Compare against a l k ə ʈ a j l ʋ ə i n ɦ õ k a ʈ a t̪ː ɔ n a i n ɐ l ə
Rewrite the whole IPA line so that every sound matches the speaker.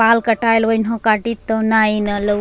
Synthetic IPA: a l k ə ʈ a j l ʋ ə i n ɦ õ k a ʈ i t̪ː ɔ n a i n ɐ l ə